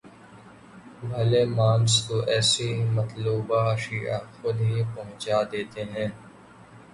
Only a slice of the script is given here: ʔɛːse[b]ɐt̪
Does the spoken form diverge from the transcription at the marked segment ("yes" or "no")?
yes